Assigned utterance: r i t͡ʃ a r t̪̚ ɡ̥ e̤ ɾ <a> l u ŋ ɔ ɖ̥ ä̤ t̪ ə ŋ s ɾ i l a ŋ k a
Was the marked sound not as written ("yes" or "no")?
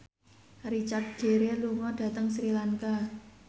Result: yes